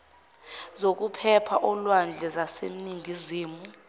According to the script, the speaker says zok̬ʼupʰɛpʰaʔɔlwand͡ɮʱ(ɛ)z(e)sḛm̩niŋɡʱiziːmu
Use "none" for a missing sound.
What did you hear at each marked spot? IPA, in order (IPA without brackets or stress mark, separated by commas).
ɛ, a